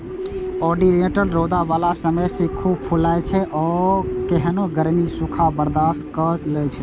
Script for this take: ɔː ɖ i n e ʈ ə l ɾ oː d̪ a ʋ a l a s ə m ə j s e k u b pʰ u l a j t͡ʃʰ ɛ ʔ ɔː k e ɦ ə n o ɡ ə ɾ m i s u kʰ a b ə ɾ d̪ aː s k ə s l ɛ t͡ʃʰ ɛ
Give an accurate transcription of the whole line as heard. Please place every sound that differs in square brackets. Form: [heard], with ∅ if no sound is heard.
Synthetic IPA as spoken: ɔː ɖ i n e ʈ ə l ɾ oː d̪ a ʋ a l a s ə m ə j s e [kʰ] u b pʰ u l a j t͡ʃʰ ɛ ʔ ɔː k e ɦ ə n o ɡ ə ɾ m i s u kʰ a b ə ɾ d̪ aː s k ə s l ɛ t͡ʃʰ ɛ